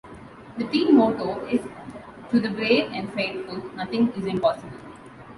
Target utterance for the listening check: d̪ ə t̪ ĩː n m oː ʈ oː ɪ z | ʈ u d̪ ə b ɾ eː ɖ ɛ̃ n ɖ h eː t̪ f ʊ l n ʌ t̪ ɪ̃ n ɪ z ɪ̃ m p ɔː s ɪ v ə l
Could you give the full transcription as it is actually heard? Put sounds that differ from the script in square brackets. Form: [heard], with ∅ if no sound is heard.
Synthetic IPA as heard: d̪ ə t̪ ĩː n m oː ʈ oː ɪ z | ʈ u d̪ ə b ɾ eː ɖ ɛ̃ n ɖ [f] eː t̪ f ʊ l n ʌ t̪ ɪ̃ [ŋ] ɪ z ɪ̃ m p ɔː s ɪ [b] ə l